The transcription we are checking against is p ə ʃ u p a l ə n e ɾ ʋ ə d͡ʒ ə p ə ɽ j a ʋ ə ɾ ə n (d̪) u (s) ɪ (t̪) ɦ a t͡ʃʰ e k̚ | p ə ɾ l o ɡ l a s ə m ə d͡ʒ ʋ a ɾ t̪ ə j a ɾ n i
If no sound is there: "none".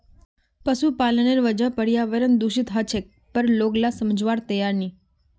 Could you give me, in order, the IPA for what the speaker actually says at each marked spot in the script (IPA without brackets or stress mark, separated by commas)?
d̪, ʃ, t̪